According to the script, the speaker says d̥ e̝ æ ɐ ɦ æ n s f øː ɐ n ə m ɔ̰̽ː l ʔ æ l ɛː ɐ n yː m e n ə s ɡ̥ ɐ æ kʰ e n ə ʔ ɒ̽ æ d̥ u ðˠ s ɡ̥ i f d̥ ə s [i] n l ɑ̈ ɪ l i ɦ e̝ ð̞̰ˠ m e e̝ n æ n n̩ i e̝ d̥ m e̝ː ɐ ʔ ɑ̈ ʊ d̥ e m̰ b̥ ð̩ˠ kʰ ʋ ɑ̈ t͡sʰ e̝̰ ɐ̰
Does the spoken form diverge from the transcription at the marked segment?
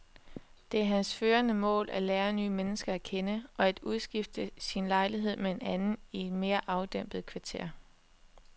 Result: no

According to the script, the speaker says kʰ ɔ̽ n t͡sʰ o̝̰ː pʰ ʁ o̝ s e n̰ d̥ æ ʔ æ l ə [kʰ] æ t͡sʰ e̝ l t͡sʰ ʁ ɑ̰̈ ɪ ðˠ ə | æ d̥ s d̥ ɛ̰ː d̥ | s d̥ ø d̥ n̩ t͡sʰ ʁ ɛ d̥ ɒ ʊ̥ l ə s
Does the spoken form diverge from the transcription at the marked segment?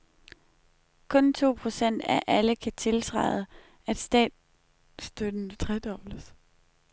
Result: no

